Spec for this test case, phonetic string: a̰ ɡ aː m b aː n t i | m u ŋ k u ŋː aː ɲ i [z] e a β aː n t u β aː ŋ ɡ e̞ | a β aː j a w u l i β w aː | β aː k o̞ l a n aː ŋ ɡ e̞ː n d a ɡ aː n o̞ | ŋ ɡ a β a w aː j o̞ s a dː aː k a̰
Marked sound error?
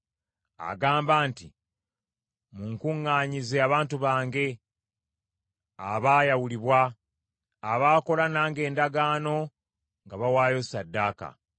no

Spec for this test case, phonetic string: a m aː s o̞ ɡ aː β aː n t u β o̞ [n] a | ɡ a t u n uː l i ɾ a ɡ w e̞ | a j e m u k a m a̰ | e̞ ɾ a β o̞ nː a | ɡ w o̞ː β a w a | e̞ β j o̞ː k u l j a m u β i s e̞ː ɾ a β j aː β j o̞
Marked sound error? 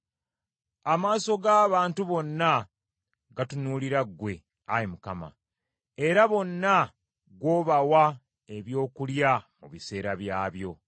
yes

